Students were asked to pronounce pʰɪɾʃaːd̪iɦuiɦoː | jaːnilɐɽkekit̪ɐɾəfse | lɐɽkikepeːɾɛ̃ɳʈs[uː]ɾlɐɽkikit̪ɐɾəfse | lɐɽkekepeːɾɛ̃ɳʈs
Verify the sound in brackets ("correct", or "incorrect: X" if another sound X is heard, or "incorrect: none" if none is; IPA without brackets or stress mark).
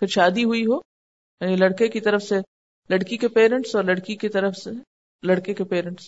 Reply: incorrect: ɔː